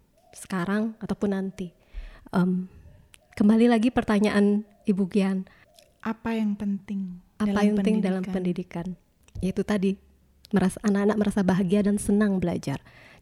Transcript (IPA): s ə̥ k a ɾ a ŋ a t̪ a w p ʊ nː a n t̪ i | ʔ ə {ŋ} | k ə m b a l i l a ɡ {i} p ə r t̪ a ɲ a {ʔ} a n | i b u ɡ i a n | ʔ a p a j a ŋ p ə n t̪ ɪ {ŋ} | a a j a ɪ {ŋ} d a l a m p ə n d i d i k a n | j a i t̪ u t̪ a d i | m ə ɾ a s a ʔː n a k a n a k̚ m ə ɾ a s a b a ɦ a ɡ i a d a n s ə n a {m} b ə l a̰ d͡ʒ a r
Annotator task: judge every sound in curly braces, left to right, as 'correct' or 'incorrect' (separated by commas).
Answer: incorrect, correct, correct, correct, correct, incorrect